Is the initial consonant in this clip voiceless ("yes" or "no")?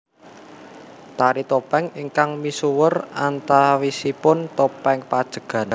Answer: yes